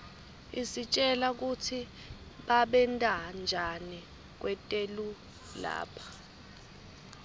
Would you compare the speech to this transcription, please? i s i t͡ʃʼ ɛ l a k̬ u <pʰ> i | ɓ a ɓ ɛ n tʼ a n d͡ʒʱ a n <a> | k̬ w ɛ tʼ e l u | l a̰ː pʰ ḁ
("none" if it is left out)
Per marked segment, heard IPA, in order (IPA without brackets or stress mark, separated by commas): tʰ, i